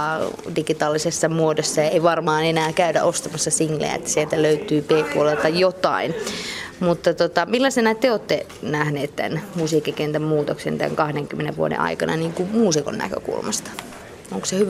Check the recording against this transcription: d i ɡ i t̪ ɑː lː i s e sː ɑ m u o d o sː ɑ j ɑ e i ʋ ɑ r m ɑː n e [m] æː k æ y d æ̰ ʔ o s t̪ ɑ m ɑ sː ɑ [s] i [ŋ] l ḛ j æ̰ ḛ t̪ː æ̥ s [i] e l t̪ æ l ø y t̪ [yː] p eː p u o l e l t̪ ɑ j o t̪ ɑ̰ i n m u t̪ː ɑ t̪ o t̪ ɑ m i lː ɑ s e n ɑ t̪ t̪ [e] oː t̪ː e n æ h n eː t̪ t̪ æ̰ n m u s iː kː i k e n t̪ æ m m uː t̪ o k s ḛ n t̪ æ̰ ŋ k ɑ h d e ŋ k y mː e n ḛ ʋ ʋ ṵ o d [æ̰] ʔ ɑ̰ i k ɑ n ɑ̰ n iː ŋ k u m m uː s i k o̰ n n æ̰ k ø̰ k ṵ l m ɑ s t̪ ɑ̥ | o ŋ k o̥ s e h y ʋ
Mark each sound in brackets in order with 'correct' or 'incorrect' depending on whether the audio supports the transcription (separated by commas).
incorrect, correct, correct, correct, correct, correct, incorrect